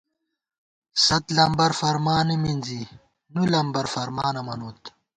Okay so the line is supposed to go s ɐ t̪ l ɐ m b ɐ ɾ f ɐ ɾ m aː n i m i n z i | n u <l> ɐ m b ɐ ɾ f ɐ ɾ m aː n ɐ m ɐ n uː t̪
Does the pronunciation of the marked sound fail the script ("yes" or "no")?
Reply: no